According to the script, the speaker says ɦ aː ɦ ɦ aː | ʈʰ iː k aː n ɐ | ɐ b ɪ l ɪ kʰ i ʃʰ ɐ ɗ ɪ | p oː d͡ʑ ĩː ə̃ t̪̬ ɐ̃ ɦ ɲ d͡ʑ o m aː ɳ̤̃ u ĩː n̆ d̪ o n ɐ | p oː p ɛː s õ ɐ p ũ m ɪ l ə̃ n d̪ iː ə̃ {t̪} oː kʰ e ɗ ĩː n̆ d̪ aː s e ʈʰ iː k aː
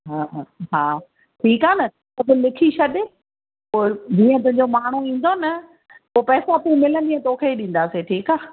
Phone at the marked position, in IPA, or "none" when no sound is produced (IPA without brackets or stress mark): t̪